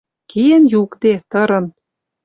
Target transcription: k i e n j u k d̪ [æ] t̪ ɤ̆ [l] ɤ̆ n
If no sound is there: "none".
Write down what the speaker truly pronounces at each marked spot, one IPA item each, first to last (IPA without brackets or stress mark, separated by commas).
e, ɾ